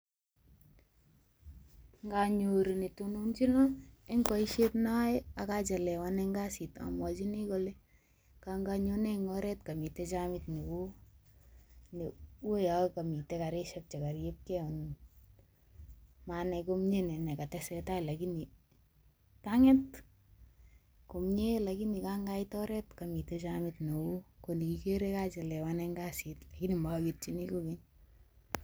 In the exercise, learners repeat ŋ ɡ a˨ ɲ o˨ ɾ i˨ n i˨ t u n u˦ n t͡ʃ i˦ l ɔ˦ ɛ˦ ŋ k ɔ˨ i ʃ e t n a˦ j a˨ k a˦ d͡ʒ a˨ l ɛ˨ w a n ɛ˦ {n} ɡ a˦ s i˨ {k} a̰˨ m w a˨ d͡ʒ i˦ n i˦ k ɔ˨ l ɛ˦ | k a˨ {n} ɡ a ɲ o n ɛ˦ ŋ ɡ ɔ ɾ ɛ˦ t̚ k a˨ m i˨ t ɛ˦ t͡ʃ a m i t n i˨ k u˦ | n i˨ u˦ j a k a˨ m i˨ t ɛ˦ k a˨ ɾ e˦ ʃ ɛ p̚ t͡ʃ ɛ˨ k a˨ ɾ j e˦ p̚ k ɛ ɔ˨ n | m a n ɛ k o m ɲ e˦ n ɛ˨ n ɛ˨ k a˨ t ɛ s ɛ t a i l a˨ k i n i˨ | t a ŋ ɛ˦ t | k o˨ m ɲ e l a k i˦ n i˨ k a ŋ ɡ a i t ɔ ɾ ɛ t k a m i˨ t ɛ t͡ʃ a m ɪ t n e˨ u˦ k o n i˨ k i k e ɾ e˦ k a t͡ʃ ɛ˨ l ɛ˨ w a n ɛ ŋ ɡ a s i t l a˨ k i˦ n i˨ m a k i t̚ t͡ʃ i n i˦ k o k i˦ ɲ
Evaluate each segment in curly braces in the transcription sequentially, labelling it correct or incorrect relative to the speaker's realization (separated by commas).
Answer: incorrect, incorrect, incorrect